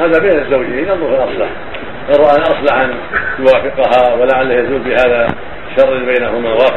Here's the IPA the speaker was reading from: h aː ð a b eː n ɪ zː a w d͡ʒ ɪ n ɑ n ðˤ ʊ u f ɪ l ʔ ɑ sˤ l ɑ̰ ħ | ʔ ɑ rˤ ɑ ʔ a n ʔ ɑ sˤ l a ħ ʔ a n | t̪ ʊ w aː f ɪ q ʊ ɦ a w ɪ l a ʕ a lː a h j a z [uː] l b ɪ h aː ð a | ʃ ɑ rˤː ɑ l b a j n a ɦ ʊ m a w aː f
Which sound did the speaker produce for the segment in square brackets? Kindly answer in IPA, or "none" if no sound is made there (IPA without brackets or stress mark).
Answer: uː